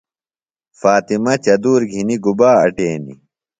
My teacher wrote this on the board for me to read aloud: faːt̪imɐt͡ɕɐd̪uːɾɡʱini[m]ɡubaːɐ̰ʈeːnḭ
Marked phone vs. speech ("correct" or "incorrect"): incorrect